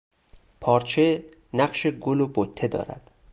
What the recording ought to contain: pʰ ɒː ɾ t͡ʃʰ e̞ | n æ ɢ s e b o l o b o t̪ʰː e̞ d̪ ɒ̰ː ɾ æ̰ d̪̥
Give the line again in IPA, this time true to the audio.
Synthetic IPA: pʰ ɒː ɾ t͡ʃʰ e̞ | n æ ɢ ʃ e ɡ o l o b o t̪ʰː e̞ d̪ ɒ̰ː ɾ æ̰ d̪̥